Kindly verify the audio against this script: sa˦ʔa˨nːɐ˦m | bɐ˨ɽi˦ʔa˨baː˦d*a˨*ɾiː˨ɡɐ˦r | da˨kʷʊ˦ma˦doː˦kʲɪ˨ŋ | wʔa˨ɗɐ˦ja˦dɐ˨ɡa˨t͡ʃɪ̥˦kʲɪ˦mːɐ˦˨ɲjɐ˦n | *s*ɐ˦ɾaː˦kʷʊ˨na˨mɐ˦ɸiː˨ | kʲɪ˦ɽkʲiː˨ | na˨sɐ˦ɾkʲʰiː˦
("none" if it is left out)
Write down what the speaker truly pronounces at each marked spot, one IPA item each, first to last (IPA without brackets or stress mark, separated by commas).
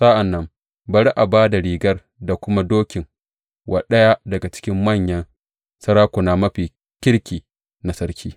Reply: a˨, s